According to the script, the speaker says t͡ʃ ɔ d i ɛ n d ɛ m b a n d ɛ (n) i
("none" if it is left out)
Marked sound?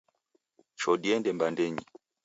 ɲ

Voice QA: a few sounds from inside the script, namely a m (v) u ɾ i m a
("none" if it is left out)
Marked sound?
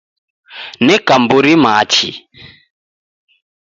b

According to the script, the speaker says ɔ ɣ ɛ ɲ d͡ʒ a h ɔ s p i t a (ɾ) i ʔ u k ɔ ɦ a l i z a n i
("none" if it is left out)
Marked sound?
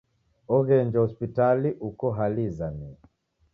l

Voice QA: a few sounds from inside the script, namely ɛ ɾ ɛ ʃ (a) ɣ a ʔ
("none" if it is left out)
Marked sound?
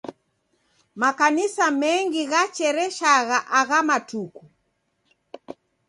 a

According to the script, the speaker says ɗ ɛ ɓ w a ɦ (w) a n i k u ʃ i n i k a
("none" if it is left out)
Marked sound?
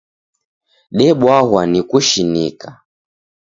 w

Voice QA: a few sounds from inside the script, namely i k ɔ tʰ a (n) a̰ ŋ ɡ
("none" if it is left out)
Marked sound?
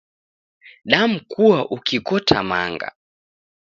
m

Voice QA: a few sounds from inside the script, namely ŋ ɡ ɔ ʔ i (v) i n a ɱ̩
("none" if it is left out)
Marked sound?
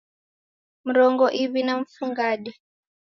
β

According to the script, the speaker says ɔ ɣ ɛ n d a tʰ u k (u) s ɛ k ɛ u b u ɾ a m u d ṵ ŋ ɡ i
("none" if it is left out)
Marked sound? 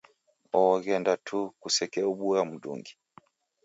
u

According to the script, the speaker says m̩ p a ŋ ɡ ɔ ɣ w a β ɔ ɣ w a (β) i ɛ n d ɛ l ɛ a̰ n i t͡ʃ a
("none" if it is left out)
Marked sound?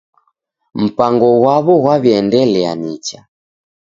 β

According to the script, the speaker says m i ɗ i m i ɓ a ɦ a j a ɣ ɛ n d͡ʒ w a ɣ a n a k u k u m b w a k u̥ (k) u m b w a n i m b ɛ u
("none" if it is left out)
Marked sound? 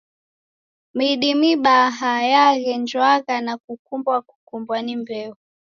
k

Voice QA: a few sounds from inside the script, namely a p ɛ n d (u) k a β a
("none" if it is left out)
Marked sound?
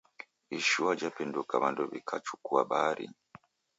u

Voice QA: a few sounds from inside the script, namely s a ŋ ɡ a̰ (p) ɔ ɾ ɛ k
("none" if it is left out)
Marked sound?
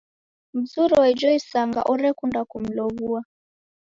ʔ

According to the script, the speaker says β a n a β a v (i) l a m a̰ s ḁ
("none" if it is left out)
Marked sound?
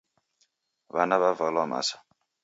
a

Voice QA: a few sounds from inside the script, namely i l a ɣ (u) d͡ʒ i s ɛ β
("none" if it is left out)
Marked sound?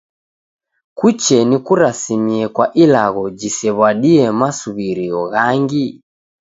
ɔ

